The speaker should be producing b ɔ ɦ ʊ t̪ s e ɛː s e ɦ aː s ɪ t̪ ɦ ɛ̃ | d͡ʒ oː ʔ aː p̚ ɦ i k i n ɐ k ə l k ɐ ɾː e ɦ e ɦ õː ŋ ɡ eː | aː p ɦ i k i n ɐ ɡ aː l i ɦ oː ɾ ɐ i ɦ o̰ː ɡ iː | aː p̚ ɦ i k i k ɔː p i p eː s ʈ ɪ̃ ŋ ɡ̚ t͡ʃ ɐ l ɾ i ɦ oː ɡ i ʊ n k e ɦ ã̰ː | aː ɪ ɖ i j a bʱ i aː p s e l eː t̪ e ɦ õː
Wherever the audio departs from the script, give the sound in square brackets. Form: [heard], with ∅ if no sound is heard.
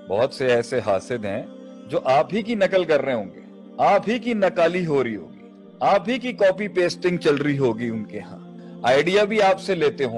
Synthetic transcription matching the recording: b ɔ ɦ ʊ t̪ s e ɛː s e ɦ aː s ɪ [d̪] ɦ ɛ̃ | d͡ʒ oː ʔ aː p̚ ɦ i k i n ɐ k ə l k ɐ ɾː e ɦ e ɦ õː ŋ ɡ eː | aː p ɦ i k i n ɐ [k] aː l i ɦ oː ɾ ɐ i ɦ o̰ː ɡ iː | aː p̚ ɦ i k i k ɔː p i p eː s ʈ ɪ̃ ŋ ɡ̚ t͡ʃ ɐ l ɾ i ɦ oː ɡ i ʊ n k e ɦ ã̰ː | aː ɪ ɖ i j a bʱ i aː p s e l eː t̪ e ɦ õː